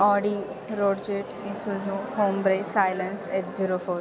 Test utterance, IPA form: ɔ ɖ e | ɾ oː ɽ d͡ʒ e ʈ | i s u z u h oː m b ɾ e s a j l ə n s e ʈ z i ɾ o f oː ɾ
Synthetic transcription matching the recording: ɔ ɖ i | ɾ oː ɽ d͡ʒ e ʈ | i s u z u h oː m b ɾ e s a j l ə n s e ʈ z i ɾ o f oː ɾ